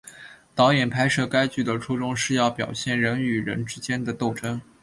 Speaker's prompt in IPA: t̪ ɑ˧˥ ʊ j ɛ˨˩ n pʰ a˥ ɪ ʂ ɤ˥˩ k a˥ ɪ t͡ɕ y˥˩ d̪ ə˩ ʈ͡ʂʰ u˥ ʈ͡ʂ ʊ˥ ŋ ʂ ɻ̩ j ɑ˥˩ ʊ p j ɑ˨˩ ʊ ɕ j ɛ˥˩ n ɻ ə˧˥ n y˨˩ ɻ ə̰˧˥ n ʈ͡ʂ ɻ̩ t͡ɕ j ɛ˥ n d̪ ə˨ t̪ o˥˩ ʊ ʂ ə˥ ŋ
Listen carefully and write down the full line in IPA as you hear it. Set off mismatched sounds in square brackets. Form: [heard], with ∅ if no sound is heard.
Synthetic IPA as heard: t̪ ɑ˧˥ ʊ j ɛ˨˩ n pʰ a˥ ɪ ʂ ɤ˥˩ k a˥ ɪ t͡ɕ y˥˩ d̪ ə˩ ʈ͡ʂʰ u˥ ʈ͡ʂ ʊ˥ ŋ ʂ ɻ̩ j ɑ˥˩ ʊ p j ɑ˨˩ ʊ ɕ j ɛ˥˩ n ɻ ə˧˥ n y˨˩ ɻ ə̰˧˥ n ʈ͡ʂ ɻ̩ t͡ɕ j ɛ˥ n d̪ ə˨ t̪ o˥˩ ʊ [ʈ͡ʂ] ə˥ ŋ